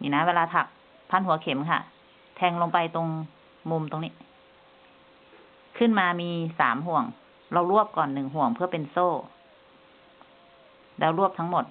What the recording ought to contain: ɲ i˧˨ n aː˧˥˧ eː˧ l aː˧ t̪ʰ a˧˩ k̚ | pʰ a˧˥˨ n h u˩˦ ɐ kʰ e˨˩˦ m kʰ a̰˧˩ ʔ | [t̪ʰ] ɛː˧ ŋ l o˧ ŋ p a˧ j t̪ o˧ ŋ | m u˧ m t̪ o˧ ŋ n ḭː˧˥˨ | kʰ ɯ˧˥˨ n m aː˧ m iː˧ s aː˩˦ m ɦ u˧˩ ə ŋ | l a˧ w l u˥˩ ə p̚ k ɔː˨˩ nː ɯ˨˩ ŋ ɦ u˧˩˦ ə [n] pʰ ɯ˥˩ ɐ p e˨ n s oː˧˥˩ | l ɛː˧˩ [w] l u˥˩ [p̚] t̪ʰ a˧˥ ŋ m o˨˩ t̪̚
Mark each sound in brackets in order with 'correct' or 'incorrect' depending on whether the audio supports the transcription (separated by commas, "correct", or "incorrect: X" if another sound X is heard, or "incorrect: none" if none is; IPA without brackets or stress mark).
correct, incorrect: ŋ, correct, correct